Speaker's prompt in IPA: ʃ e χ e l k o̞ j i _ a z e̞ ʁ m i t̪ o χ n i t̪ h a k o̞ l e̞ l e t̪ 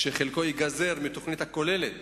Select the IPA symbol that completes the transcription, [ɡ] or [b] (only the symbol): ɡ